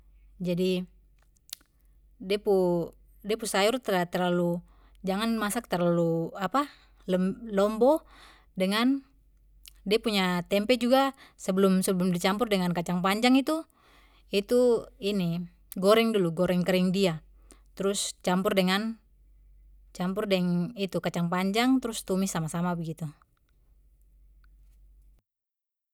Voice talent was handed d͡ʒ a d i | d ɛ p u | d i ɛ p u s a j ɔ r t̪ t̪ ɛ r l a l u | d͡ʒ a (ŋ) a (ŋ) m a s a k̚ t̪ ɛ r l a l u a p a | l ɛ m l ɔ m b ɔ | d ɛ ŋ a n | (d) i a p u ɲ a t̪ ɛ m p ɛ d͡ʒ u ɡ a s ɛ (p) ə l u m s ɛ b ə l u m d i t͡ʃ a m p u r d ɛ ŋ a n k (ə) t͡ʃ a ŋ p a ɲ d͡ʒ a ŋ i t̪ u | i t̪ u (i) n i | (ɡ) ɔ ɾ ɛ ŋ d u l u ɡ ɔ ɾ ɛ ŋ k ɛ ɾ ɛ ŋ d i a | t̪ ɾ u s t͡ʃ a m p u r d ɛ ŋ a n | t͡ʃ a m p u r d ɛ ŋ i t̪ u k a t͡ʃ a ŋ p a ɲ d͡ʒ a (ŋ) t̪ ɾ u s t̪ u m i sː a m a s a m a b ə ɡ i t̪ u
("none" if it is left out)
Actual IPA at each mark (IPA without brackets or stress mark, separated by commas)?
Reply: ŋ, n, d, b, a, i, ɡ, ŋ